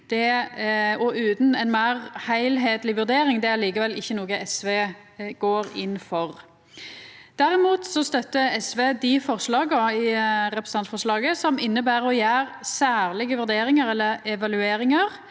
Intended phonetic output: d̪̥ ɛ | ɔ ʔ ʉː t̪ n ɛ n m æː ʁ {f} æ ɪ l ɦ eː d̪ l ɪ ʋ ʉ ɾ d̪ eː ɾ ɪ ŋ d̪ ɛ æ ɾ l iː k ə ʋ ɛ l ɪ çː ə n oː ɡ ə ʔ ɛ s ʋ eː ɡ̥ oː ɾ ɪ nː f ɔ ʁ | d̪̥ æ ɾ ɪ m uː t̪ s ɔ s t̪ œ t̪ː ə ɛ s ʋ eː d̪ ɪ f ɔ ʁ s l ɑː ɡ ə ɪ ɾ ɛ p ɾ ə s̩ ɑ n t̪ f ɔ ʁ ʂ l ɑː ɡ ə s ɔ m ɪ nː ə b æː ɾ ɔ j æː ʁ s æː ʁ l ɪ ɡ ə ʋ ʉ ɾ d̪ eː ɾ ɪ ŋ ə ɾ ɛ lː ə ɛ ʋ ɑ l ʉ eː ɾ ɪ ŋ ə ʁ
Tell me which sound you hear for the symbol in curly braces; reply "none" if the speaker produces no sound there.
h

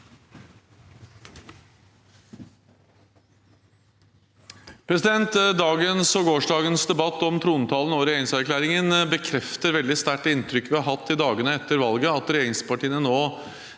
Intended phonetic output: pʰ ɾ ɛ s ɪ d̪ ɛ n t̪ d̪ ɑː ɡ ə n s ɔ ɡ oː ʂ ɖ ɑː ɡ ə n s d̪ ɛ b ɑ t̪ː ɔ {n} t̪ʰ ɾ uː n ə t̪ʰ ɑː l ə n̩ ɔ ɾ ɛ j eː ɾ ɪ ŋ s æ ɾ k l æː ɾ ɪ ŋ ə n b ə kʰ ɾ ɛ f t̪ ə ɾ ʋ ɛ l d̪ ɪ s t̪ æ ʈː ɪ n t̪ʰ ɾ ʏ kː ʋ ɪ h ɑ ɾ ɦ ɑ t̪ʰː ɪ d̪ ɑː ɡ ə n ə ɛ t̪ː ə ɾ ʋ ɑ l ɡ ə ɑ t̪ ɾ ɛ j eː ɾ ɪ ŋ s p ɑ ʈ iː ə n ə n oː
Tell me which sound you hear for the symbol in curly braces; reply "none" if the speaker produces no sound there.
m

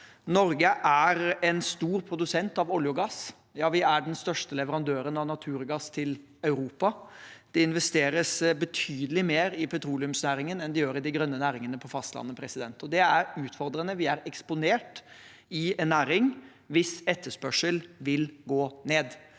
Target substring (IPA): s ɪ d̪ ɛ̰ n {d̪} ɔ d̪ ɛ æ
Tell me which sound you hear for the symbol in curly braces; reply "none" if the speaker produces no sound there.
t̪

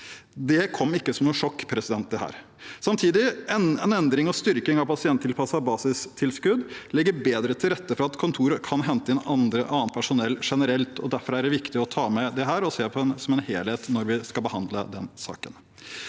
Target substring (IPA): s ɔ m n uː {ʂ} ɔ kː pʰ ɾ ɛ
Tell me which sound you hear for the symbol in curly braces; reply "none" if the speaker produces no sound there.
ʂ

